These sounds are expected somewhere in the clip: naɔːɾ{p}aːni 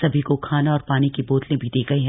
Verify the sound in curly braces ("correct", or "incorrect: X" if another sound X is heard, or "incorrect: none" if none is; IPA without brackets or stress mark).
correct